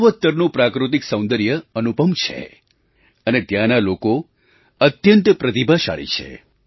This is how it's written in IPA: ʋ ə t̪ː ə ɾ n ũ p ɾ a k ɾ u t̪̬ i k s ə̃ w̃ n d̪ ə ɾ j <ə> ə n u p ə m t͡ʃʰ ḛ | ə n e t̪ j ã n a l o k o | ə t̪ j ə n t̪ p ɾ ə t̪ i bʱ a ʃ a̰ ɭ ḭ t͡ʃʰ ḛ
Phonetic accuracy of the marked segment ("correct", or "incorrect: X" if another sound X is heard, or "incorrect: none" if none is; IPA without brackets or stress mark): correct